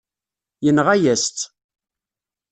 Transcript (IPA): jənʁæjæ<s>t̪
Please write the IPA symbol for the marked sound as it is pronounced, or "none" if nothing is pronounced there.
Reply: s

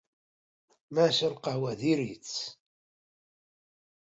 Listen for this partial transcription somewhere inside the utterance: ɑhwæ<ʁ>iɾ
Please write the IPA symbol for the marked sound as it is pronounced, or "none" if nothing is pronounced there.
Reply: ð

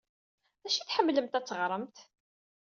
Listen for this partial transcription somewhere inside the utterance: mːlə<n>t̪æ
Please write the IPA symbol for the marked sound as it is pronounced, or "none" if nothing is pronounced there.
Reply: m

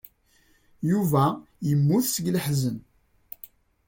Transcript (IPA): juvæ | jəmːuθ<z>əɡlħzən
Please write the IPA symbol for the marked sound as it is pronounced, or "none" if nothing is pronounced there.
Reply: s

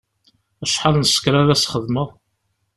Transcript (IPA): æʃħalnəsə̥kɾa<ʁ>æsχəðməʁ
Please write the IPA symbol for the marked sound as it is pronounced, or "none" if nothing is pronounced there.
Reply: ð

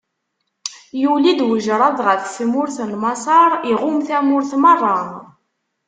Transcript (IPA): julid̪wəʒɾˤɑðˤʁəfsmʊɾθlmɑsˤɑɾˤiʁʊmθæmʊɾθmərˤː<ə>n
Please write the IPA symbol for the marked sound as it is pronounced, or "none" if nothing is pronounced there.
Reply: ɑ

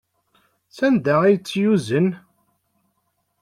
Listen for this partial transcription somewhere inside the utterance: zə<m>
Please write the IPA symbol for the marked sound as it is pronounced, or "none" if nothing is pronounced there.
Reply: n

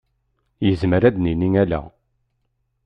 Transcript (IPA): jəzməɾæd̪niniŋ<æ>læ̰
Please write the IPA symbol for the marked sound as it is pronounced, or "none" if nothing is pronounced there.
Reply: æ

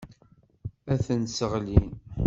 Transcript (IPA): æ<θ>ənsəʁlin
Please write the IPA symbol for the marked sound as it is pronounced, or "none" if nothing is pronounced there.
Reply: θ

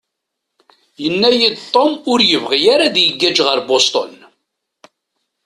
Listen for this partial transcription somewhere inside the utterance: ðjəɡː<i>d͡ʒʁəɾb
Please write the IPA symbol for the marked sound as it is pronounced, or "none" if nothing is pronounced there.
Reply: æ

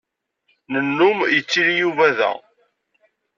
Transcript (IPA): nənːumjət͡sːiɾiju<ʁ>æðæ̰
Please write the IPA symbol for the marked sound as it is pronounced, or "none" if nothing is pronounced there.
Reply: v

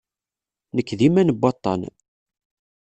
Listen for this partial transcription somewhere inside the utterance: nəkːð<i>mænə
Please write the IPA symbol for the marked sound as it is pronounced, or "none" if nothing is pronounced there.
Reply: i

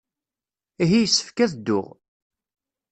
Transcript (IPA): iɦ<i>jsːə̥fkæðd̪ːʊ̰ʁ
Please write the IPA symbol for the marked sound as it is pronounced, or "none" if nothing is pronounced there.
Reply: i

